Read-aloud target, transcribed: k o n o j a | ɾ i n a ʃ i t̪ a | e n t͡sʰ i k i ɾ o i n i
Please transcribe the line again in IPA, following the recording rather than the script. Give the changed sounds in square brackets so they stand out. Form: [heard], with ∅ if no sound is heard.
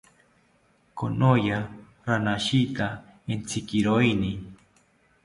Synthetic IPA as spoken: k o n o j a | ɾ [a] n a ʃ i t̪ a | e n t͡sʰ i k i ɾ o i n i